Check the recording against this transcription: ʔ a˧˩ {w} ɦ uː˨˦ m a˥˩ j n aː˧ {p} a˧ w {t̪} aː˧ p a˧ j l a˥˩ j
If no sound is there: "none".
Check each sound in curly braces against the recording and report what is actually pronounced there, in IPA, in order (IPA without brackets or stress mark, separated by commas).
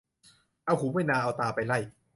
w, ʔ, t̪